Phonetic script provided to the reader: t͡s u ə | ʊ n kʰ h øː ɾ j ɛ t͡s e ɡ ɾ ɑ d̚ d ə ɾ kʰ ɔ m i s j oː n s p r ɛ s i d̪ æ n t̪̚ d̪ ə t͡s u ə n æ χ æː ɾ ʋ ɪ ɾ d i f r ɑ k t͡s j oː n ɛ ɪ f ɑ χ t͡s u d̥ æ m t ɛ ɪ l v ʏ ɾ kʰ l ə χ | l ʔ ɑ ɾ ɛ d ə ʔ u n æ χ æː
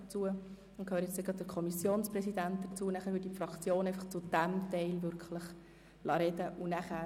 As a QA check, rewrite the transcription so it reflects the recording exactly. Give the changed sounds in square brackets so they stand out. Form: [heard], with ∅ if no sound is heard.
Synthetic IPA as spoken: t͡s u ə | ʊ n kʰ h øː ɾ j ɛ t͡s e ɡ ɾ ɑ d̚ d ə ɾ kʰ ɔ m i s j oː n s p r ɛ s i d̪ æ n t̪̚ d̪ ə t͡s u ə n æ χ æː ɾ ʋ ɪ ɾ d i f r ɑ k t͡s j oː n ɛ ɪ f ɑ χ t͡s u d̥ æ m t ɛ ɪ l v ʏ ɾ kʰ l ə χ | l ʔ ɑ ɾ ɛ d ə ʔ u n æ χ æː